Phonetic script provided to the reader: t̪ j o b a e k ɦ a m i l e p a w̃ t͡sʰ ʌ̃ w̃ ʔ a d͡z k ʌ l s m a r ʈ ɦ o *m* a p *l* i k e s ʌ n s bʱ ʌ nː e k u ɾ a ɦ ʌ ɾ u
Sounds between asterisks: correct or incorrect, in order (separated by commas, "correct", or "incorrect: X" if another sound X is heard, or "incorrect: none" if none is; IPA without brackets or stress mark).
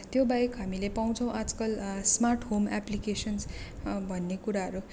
correct, correct